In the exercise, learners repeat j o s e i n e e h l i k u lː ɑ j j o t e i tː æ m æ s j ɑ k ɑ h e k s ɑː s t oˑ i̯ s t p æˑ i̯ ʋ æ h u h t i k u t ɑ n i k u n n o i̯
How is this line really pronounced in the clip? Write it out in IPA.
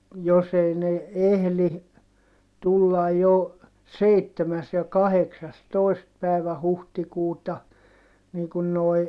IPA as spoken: j o s e i n e e h l i t u lː ɑ j j o s e i tː e m æ s j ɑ k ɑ h e k s ɑ s t oˑ i̯ s t p æˑ i̯ ʋ æ h u h t i k uː t ɑ n iː k u n n o i̯